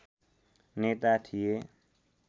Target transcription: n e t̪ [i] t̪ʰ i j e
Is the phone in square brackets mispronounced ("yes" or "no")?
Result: yes